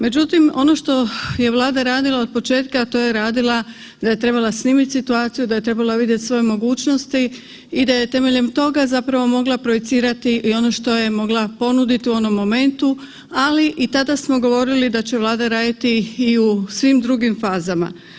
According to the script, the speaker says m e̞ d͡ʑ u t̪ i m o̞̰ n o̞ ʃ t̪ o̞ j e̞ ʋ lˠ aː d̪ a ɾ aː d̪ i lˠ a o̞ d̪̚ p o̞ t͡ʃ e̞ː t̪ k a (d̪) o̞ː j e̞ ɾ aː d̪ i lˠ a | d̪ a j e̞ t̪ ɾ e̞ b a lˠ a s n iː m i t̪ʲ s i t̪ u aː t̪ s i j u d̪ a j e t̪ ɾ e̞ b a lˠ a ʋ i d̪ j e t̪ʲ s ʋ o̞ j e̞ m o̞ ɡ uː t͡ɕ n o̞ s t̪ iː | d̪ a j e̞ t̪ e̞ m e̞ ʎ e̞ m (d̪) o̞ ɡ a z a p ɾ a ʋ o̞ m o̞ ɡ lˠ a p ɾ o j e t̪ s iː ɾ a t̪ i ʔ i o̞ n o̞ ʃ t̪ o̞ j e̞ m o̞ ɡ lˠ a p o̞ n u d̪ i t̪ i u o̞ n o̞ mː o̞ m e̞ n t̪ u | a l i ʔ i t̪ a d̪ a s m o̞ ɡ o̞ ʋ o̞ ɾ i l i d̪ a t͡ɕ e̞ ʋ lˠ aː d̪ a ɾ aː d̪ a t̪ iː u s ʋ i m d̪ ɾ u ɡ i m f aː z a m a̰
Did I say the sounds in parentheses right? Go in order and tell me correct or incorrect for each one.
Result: incorrect: t̪, incorrect: t̪

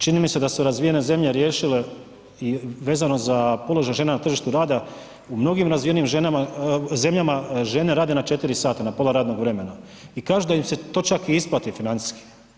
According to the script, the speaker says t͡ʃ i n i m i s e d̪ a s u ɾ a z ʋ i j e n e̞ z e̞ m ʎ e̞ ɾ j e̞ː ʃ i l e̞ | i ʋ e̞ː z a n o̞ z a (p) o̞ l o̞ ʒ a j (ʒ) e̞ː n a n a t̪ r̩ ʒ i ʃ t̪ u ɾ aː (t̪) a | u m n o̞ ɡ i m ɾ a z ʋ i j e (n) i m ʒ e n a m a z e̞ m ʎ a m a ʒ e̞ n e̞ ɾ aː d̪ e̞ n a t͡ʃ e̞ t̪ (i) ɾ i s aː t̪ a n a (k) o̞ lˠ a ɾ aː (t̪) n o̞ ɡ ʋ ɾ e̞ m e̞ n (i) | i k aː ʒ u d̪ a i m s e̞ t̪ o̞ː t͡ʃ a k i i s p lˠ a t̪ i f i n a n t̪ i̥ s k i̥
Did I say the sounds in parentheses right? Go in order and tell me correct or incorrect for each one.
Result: correct, correct, incorrect: d̪, correct, correct, incorrect: p, incorrect: d̪, incorrect: a

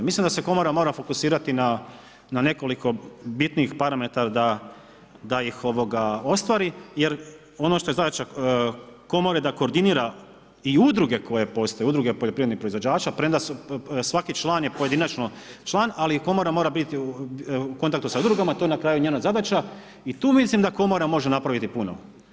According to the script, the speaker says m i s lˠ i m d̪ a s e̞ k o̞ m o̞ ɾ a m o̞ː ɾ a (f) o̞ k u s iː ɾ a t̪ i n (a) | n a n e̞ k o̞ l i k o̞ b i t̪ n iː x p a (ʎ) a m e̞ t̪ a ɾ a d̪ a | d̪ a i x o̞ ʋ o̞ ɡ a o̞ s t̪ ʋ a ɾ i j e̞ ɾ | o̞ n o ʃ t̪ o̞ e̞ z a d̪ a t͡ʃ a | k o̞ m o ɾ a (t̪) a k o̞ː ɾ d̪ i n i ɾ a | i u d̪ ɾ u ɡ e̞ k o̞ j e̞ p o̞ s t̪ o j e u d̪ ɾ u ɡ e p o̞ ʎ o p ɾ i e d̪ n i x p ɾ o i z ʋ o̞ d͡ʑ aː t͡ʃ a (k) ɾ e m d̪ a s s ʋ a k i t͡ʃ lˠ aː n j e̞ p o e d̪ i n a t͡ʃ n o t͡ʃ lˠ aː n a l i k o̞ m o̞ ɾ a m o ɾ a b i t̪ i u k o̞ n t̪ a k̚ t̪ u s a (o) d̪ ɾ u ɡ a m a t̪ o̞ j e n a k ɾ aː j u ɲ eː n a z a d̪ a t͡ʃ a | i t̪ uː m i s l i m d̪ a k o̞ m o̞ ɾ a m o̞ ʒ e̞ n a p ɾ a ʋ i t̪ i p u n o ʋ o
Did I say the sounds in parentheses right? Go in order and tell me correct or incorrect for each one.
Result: correct, correct, incorrect: ɾ, incorrect: d̪, incorrect: p, incorrect: u

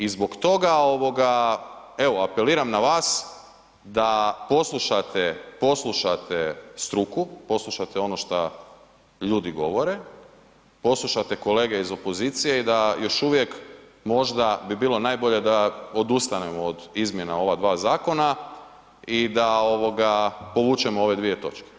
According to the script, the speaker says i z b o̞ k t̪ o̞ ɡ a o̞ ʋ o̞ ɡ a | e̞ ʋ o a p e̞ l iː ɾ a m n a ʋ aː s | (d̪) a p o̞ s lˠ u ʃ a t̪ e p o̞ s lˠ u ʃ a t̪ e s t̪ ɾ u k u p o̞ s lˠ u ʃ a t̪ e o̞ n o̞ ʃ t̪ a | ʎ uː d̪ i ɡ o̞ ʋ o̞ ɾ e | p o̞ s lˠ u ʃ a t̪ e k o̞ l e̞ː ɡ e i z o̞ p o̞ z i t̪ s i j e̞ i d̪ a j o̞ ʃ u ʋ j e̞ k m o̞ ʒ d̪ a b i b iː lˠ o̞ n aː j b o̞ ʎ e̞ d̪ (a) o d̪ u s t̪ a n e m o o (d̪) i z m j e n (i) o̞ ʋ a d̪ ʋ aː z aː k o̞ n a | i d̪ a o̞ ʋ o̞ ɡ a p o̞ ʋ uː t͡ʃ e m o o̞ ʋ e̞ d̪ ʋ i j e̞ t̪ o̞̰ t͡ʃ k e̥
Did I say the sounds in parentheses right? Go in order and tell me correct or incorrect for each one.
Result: correct, correct, correct, incorrect: a

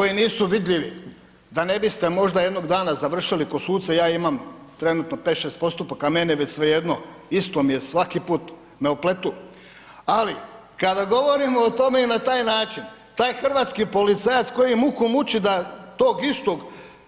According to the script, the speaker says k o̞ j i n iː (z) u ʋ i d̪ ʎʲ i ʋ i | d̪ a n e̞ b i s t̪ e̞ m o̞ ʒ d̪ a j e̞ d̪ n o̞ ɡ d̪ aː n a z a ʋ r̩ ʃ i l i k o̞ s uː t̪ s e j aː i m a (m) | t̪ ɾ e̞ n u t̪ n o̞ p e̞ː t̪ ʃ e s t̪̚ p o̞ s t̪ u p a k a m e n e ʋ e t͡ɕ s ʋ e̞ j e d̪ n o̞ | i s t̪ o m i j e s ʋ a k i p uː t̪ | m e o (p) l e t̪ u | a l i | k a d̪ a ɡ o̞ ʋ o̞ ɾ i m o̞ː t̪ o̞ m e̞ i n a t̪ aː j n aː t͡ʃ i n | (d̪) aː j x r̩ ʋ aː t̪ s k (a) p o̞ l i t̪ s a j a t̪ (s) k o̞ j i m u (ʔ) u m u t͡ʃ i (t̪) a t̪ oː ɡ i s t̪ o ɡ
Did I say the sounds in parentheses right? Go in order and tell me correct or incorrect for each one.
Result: incorrect: s, correct, correct, incorrect: t̪, incorrect: i, correct, incorrect: k, incorrect: d̪

